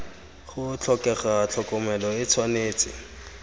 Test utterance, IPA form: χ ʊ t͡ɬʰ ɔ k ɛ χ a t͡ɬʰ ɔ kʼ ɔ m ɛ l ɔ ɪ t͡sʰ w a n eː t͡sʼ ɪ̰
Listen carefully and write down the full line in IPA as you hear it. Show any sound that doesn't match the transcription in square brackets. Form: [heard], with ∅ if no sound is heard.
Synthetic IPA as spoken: χ ʊ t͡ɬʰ ɔ k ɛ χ a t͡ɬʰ ɔ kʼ ɔ m ɛ l ɔ ɪ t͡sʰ w a n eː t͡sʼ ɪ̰